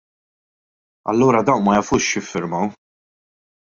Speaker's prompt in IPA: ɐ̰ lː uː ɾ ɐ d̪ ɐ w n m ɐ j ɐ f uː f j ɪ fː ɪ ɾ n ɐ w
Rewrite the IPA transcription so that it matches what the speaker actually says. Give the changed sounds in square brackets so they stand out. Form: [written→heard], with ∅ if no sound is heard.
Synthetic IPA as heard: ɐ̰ lː uː ɾ ɐ d̪ ɐ w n m ɐ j ɐ f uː [f→ʃ] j ɪ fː ɪ ɾ [n→m] ɐ w